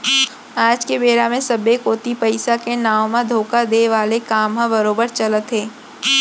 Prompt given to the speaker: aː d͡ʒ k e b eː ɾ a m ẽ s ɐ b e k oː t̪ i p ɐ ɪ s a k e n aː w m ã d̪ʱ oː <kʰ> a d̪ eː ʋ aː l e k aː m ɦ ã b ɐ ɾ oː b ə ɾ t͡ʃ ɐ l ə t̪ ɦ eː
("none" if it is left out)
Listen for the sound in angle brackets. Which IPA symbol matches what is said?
k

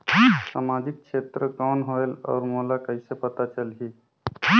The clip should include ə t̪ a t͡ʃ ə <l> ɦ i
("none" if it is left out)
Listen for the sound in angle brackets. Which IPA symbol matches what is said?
l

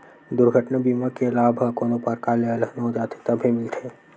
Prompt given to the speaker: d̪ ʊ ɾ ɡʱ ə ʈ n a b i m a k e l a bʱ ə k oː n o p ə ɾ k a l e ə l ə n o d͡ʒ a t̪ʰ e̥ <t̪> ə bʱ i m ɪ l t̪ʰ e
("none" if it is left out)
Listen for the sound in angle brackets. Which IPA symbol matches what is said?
t̪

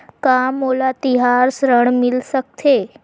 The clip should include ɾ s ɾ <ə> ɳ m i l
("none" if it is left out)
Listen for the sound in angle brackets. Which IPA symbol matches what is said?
ə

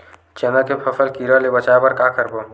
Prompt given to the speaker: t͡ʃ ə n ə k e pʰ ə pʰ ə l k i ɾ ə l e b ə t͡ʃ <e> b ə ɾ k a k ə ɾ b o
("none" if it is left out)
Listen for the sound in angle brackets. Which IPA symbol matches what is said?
a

